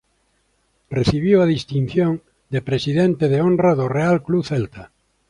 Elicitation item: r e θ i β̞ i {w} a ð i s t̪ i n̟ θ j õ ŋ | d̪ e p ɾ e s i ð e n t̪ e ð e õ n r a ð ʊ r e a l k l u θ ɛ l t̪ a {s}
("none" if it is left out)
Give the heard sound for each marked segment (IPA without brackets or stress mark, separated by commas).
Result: w, none